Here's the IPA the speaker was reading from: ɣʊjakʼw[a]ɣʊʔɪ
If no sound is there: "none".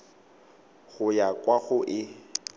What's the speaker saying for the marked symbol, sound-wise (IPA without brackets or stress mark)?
a